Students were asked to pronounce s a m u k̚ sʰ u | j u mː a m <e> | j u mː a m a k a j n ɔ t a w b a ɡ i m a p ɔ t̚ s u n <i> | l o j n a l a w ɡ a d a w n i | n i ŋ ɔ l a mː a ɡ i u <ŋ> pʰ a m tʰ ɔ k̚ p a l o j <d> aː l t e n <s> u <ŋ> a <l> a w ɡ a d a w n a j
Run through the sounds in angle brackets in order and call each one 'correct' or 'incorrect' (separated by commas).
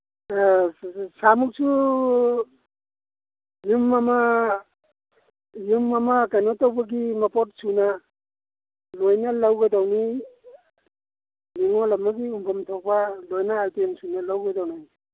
incorrect, incorrect, incorrect, incorrect, correct, incorrect, correct